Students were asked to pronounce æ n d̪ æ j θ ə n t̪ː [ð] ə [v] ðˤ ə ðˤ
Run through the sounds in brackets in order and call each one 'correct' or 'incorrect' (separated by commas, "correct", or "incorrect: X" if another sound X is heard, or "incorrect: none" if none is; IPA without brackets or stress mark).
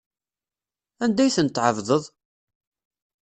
incorrect: ʕ, correct